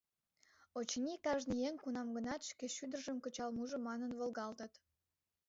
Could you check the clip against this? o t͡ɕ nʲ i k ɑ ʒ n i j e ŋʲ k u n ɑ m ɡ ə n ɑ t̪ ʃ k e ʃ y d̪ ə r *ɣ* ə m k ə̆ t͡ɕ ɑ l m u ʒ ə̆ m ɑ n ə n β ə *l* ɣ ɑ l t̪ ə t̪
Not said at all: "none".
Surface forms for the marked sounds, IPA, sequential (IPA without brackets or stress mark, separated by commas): ʒ, l